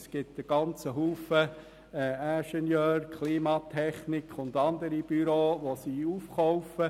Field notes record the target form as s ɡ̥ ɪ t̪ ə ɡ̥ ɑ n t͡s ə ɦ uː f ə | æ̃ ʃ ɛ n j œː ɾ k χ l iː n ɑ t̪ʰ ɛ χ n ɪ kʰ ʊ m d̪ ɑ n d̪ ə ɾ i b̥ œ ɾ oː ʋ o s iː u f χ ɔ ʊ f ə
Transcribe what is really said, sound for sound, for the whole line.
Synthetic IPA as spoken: s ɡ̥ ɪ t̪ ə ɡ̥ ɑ n t͡s ə ɦ uː f ə | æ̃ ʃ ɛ n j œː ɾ k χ l iː m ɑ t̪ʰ ɛ χ n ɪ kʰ ʊ n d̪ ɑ n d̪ ə ɾ i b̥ y ɾ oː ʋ o s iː u f χ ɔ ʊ f ə

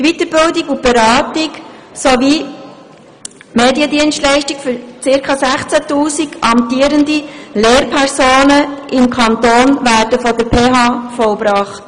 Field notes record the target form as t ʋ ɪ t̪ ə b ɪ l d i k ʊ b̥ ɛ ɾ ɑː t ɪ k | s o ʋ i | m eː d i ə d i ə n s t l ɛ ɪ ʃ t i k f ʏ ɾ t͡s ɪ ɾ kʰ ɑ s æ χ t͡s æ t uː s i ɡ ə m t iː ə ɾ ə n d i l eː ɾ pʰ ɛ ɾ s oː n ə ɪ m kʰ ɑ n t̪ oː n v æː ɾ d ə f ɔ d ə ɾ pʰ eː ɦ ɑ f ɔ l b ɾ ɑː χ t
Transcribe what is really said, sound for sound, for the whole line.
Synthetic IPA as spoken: t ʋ i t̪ ə b ɪ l d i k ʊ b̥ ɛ ɾ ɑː t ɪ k | s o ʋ i | m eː d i ə d i ə n s t l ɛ ɪ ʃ t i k f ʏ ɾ t͡s ɪ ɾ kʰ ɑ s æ χ t͡s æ t uː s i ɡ ɑ m t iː ə ɾ ə n d i l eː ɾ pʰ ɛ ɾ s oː n ə ɪ m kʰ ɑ n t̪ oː n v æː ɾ d ə f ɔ d ə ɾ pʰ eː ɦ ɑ f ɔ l b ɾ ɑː χ t

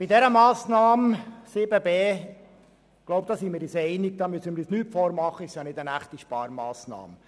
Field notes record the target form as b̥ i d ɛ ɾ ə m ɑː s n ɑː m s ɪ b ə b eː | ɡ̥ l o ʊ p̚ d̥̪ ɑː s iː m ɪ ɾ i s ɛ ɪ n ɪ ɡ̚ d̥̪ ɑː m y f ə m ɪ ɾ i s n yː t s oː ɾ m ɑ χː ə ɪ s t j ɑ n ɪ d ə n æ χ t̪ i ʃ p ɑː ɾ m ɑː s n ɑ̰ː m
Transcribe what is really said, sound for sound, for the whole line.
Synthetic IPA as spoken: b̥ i d ɛ ɾ ə m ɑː s n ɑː m s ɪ b ə b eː | ɡ̥ l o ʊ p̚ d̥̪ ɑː s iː m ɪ ɾ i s ɛ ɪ n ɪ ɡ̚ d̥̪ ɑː m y s ə m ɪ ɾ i s n yː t f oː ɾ m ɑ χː ə ɪ s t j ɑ n ɪ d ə n æ χ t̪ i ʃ p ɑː ɾ m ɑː s n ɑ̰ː m

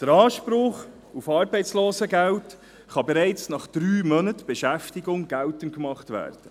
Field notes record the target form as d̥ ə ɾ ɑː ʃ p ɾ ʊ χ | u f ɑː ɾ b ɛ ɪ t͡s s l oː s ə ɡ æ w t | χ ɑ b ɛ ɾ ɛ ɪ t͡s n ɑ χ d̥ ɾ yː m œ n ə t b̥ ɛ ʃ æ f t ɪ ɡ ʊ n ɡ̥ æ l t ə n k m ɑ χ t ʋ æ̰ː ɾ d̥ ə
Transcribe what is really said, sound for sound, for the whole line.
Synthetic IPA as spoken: d̥ ə ɾ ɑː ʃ p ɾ ʊ χ | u f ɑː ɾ b ɛ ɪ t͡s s l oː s ə ɡ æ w t | χ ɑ b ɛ ɾ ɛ ɪ t͡s n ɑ χ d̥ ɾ yː m œ n ə t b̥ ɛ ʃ æ f t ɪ ɡ ʊ ŋ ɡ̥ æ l t ə n k m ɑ χ t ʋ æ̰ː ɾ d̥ ə

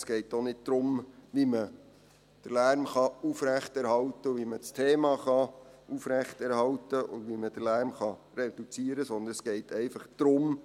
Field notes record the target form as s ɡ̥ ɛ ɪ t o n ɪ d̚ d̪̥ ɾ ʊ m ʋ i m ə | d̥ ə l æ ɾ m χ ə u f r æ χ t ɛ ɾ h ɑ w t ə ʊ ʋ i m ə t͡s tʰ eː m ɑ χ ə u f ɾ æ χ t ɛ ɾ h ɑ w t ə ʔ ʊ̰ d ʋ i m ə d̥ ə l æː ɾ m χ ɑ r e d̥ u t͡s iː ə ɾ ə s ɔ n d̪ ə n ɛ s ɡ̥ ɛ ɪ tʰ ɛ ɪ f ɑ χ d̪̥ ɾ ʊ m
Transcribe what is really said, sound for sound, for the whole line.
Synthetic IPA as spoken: s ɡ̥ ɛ ɪ t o n ɪ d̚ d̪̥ ɾ ʊ m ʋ i m ə | d̥ ə l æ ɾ m χ ɑ u f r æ χ t ɛ ɾ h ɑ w t ə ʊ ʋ i m ə t͡s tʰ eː m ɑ χ ɑ u f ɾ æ χ t ɛ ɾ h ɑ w t ə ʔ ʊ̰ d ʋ i m ə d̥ ə l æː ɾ m χ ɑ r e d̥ u t͡s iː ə ɾ ə s ɔ n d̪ ə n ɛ s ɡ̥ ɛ ɪ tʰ ɛ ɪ f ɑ χ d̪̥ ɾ ʊ m

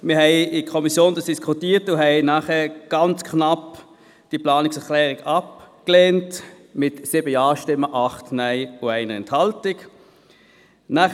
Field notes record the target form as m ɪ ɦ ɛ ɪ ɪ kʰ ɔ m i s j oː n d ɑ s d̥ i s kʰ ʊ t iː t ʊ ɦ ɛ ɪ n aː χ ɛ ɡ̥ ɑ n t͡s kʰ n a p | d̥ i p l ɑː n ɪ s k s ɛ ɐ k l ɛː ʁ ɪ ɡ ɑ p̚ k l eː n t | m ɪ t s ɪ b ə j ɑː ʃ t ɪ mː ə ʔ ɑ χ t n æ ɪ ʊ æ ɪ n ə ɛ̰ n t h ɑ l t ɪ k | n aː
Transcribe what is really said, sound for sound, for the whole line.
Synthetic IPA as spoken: m ɪ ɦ ɛ ɪ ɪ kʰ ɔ m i s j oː n d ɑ s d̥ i s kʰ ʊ t iː t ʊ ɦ ɛ ɪ n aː χ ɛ ɡ̥ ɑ n t͡s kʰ n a p | d̥ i p l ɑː n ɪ k s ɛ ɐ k l ɛː ʁ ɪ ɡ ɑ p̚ k l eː n t | m ɪ t s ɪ b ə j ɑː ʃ t ɪ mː ə ʔ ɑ χ t n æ ɪ ʊ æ ɪ n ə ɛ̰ n t h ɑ l t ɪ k | n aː

